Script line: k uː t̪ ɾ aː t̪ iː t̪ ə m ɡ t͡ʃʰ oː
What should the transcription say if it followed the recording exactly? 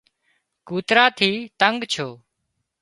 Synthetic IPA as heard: k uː t̪ ɾ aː t̪ʰ iː t̪ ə ŋ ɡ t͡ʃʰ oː